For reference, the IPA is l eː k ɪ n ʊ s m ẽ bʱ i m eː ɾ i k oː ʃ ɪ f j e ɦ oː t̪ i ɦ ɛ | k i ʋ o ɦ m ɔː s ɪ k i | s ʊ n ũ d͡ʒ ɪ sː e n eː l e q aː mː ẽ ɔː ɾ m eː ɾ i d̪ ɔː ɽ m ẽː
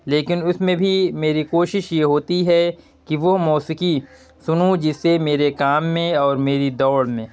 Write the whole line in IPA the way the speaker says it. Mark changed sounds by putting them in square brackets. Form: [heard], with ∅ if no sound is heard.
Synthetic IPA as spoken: l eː k ɪ n ʊ s m ẽ bʱ i m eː ɾ i k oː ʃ ɪ [ʃ] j e ɦ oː t̪ i ɦ ɛ | k i ʋ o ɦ m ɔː s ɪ k i | s ʊ n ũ d͡ʒ ɪ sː e [m] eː [ɾ] e [k] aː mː ẽ ɔː ɾ m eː ɾ i d̪ ɔː ɽ m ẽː